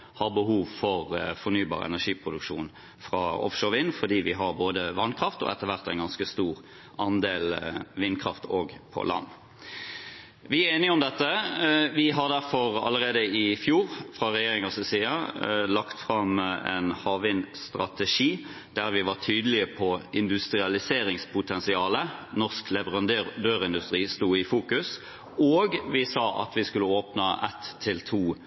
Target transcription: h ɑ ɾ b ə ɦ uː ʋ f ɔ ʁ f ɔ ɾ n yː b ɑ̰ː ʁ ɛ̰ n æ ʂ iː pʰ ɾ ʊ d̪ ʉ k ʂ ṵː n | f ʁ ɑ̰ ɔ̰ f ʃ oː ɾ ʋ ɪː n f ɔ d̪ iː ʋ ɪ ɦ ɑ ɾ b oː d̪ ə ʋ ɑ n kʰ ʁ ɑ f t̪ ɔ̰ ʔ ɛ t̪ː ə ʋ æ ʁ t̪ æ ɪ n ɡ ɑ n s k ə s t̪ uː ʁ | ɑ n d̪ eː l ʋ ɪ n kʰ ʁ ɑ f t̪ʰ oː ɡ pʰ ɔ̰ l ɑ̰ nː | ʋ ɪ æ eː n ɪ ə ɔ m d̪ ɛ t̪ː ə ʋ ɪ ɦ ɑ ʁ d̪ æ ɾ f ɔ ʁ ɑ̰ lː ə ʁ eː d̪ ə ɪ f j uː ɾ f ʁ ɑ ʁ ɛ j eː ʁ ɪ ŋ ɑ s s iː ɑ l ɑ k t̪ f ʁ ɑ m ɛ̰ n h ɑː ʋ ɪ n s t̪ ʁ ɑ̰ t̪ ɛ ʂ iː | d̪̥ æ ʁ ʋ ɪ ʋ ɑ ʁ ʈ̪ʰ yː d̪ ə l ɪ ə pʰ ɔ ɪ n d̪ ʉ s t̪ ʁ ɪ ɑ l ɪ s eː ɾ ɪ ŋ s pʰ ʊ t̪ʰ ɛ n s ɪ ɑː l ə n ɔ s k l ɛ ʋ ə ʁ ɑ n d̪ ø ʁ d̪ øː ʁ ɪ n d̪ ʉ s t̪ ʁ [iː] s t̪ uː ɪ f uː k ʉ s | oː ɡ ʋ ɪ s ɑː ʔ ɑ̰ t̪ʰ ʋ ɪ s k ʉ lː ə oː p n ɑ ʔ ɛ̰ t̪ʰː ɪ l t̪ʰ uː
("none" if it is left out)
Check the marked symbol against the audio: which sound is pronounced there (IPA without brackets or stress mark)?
iː